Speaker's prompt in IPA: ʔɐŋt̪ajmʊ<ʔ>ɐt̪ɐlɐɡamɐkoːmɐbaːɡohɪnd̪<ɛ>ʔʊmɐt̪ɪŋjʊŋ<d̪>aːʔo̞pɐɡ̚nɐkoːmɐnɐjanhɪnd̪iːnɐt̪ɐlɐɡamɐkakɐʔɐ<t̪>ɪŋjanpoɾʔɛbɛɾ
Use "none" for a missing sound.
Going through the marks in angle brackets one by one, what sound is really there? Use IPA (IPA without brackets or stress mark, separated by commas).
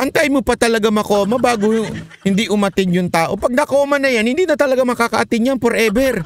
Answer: p, i, t̪, t̪